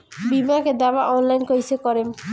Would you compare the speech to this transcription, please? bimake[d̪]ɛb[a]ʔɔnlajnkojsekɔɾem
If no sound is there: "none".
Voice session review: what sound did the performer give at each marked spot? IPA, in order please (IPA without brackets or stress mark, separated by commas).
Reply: d̪, a